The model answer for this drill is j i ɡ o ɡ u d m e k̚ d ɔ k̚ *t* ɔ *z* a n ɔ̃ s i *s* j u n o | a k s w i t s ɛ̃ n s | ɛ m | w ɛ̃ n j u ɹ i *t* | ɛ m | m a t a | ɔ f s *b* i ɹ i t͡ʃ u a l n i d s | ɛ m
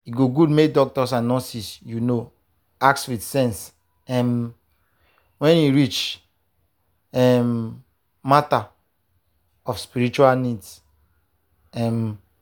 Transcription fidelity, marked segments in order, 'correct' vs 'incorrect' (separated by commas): correct, incorrect, correct, incorrect, incorrect